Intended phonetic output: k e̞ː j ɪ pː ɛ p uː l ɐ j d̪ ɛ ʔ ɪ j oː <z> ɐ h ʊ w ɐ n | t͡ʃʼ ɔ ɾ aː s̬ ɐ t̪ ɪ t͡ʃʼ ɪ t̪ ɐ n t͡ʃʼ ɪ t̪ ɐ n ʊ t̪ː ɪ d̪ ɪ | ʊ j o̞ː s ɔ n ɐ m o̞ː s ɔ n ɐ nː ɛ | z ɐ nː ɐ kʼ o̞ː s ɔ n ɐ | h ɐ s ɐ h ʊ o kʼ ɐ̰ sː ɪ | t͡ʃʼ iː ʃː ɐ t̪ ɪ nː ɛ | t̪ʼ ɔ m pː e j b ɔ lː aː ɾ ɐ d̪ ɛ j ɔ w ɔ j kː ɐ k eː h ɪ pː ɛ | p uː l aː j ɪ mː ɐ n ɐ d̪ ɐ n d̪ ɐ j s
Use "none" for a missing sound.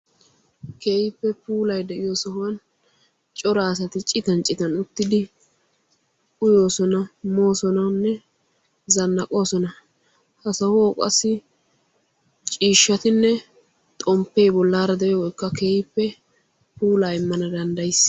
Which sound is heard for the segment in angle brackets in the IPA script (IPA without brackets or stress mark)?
s